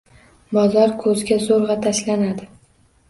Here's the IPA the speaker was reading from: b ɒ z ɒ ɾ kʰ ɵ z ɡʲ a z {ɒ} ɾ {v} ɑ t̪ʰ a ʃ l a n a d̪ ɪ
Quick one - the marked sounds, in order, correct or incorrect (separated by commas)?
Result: incorrect, incorrect